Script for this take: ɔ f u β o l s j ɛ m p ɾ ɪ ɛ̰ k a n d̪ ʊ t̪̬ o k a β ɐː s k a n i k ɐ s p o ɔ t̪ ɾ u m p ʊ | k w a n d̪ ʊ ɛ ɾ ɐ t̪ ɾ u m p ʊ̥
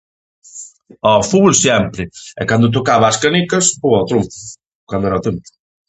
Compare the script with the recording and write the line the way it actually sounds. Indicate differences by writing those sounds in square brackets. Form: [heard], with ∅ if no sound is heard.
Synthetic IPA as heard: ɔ f u β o l s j ɛ m p ɾ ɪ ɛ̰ k a n d̪ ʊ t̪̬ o k a β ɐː s k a n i k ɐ s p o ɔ t̪ ɾ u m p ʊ | k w a n d̪ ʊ ɛ ɾ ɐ t̪ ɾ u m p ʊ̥

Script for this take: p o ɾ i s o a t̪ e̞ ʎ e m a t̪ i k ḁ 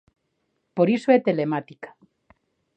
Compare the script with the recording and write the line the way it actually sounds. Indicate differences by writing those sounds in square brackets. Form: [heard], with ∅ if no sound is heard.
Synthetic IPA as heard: p o ɾ i s o [e] t̪ e̞ [l] e m a t̪ i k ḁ

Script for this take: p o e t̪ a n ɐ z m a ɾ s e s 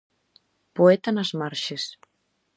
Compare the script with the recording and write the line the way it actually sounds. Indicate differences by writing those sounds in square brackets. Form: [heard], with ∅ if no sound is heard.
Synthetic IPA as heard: p o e t̪ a n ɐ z m a ɾ [ʃ] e s

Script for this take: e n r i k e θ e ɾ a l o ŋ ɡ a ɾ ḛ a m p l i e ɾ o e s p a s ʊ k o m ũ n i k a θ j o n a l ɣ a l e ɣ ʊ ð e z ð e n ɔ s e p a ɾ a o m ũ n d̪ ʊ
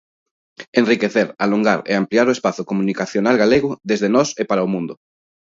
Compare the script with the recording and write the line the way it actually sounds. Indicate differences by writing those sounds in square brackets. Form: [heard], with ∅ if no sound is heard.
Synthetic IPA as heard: e n r i k e θ e ɾ a l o ŋ ɡ a ɾ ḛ a m p l i [a] ɾ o e s p a [θ] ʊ k o m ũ n i k a θ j o n a l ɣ a l e ɣ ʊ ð e z ð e n ɔ s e p a ɾ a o m ũ n d̪ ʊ

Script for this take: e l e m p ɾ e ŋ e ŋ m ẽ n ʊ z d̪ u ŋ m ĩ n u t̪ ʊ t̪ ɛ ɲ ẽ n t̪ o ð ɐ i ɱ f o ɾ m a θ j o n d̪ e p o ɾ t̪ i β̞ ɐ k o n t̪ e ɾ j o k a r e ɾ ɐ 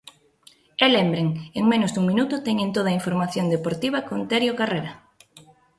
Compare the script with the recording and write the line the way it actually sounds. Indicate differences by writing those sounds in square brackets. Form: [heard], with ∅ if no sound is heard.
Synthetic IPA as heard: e l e m [b] ɾ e ŋ e ŋ m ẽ n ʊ z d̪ u ŋ m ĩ n u t̪ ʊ t̪ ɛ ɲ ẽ n t̪ o ð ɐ i ɱ f o ɾ m a θ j o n d̪ e p o ɾ t̪ i β̞ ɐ k o n t̪ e ɾ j o k a r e ɾ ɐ

